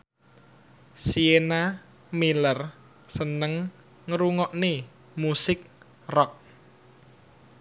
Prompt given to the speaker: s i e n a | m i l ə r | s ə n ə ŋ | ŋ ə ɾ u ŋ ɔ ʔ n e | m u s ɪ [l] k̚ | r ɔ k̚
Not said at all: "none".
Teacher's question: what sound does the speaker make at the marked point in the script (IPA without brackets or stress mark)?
none